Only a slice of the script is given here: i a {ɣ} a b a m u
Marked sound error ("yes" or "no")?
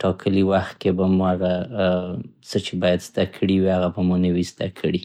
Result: no